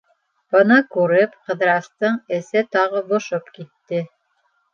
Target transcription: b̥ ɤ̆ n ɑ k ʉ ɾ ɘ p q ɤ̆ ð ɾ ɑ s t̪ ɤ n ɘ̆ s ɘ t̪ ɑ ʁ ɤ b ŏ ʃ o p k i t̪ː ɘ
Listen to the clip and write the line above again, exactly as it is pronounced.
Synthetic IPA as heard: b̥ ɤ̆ n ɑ k ʉ ɾ ɘ p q ɤ̆ ð ɾ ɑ s t̪ ɤ ɴ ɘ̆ s ɘ t̪ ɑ ʁ ɤ b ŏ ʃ o p k i t̪ː ɘ

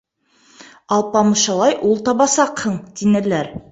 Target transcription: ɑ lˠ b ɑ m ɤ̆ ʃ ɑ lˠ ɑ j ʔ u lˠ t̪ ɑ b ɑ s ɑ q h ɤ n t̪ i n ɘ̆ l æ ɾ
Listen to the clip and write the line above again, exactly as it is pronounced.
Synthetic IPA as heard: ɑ lˠ p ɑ m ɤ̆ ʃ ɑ lˠ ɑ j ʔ u lˠ t̪ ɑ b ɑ s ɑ q h ɤ ɴ t̪ i n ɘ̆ l æ ɾ

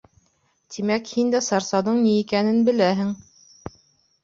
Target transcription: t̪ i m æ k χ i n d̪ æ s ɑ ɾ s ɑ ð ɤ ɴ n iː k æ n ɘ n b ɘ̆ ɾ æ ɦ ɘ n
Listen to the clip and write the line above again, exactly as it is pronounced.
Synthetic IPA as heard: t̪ i m æ k h i n d̪ æ s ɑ ɾ s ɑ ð ɤ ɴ n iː k æ n ɘ n b ɘ̆ l æ ɦ ɘ ŋ

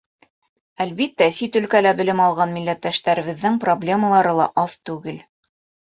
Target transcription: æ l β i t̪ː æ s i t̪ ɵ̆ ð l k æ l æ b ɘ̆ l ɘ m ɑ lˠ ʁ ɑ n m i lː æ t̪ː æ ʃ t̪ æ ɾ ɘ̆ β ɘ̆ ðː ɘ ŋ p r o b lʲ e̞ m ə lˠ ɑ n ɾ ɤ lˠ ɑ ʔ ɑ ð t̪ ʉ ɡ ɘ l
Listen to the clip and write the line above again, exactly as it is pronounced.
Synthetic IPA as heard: æ l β i t̪ː æ s i t̪ ɵ̆ l k æ l æ b ɘ̆ l ɘ m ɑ lˠ ʁ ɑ n m i lː æ t̪ː æ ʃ t̪ æ ɾ ɘ̆ β ɘ̆ ðː ɘ ŋ p r o b lʲ e̞ m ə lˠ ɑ ɾ ɤ lˠ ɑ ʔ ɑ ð t̪ ʉ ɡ ɘ l

